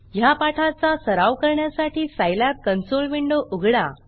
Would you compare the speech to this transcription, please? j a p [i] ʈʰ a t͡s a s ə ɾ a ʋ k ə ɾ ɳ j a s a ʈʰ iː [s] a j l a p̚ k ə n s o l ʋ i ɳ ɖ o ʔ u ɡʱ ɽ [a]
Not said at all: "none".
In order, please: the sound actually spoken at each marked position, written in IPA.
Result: a, s, a

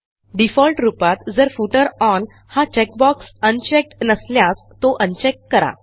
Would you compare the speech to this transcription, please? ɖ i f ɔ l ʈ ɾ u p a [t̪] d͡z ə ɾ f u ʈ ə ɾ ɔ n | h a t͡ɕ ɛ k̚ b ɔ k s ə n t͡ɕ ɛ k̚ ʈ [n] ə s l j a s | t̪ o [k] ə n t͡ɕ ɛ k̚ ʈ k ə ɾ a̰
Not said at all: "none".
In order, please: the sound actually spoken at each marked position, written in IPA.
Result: t̪, n, ʔ

